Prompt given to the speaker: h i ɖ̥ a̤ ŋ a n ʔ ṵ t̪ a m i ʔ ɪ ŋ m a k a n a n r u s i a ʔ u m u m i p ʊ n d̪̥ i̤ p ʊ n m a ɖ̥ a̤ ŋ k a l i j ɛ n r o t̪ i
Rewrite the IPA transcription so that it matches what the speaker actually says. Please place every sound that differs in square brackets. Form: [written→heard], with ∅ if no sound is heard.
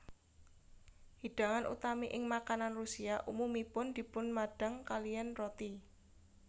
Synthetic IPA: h i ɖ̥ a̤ ŋ a n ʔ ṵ t̪ a m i ʔ ɪ ŋ m a k a n a n r u s i a ʔ u m u m i p ʊ n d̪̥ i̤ p ʊ n m a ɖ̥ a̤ ŋ k a l i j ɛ n r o t̪ i